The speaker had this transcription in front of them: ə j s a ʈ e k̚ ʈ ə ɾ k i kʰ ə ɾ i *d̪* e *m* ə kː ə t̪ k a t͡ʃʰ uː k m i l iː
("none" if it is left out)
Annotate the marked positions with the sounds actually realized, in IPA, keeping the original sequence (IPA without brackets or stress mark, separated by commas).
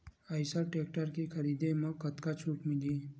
d̪, m